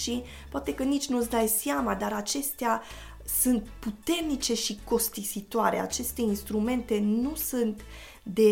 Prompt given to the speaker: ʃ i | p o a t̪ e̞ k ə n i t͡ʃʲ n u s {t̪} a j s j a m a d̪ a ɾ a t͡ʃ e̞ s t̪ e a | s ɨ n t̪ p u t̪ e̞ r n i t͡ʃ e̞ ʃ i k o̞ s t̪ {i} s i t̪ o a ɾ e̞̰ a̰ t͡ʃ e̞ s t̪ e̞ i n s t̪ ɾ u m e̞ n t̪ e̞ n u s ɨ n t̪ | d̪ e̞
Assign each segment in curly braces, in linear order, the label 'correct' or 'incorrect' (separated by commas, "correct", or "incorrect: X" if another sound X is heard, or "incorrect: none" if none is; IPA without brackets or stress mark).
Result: incorrect: d̪, correct